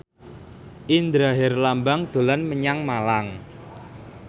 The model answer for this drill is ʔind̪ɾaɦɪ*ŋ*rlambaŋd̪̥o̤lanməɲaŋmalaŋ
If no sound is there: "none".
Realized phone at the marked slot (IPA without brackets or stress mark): none